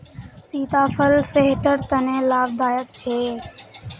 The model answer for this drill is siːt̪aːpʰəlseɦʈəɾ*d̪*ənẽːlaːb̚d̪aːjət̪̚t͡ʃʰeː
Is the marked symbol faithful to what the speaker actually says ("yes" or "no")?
no